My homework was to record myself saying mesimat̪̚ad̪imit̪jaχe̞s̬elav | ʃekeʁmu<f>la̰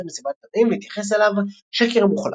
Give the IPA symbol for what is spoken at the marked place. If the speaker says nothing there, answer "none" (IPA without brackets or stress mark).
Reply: χ